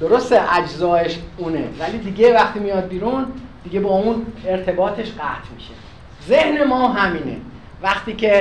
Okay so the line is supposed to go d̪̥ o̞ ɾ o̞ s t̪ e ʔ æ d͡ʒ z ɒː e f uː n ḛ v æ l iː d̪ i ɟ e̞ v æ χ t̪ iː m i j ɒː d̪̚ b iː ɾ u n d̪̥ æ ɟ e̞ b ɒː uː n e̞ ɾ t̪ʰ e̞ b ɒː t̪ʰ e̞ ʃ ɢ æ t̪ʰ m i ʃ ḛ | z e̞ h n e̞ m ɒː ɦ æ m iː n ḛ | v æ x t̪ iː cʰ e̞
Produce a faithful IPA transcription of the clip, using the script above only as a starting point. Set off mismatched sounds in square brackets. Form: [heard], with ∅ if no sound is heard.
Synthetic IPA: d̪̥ o̞ ɾ o̞ s t̪ e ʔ æ d͡ʒ z ɒː e [ʃ] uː n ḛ v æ l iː d̪ i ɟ e̞ v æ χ t̪ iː m i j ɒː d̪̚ b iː ɾ u n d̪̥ [i] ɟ e̞ b ɒː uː n e̞ ɾ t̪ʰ e̞ b ɒː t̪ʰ e̞ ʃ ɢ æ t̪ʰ m i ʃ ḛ | z e̞ h n e̞ m ɒː ɦ æ m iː n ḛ | v æ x t̪ iː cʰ e̞